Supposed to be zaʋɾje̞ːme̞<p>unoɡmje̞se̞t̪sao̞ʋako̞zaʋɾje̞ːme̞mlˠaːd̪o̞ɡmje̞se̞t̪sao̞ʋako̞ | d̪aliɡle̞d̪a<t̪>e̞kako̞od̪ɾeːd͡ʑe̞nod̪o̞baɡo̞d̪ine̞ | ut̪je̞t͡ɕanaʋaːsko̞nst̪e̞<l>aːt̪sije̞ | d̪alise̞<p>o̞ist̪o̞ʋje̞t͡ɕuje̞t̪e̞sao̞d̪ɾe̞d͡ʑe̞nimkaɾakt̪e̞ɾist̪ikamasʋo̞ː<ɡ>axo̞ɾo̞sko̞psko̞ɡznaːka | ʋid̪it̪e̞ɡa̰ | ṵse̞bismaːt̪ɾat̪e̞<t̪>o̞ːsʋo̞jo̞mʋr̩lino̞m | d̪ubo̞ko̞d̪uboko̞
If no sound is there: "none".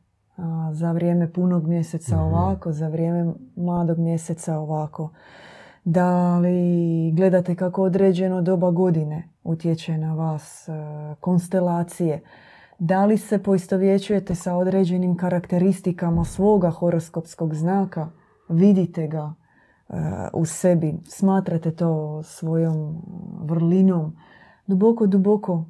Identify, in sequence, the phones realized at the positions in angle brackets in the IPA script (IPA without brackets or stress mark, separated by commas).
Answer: p, t̪, l, p, ɡ, t̪